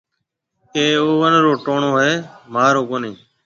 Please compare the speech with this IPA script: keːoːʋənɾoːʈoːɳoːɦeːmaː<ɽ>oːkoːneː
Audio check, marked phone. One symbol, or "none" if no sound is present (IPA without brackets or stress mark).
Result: ɾ